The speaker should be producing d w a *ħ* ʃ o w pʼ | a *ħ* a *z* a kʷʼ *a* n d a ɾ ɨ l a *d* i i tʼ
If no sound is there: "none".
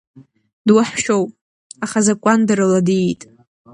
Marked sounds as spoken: ħ, χ, z, a, d

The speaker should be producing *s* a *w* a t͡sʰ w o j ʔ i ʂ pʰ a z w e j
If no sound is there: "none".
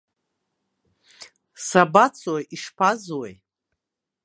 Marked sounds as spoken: s, b

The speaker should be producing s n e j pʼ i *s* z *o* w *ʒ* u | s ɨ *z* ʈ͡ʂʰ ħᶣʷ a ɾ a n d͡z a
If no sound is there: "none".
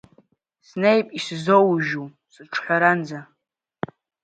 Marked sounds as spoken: s, o, ʒ, none

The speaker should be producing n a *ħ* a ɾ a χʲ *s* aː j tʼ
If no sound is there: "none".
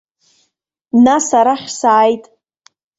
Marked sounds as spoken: s, s

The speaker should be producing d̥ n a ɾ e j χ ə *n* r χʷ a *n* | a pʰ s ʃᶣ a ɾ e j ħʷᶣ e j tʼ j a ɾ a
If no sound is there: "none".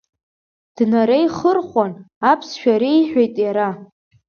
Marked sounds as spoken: none, n

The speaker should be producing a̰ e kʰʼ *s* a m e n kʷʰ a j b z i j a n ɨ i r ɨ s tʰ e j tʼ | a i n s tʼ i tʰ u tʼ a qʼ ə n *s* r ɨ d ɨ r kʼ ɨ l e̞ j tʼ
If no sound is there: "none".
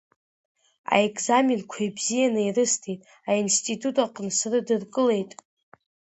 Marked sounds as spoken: z, s

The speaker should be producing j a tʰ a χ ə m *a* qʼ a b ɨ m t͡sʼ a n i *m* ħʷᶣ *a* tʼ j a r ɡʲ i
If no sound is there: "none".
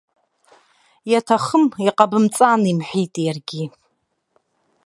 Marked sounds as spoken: i, m, i

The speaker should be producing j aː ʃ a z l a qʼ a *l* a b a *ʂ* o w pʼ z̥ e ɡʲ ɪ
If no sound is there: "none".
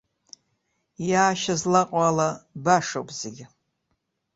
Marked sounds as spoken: l, ʂ

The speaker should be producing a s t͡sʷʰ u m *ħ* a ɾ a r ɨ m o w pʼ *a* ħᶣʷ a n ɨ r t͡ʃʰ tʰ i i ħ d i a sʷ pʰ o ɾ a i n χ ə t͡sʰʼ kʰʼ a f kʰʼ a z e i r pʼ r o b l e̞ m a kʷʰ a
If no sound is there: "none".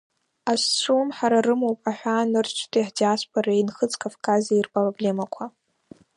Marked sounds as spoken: ħ, a

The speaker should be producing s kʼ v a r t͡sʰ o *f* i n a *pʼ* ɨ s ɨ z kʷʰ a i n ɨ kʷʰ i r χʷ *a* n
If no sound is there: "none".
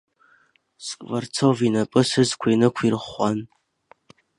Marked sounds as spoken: v, pʼ, a

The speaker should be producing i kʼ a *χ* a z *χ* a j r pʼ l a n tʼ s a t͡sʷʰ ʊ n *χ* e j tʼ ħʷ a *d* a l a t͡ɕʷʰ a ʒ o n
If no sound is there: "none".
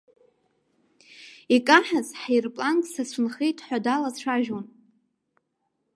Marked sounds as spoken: ħ, ħ, χ, d

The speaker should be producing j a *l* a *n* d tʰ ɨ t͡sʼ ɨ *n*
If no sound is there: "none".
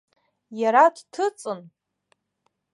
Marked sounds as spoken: ɾ, none, n

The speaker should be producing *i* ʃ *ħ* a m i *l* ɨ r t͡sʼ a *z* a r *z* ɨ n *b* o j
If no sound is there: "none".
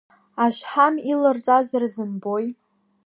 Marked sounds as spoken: a, ħ, l, z, z, b

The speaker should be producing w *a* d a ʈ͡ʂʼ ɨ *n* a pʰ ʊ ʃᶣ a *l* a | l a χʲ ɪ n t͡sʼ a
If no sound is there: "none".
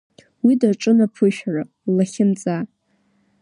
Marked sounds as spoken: i, n, r

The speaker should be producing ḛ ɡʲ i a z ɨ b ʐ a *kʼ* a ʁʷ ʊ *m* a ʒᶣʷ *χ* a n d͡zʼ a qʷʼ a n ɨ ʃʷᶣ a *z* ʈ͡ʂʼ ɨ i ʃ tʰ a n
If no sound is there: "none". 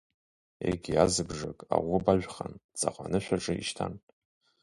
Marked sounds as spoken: kʼ, b, χ, none

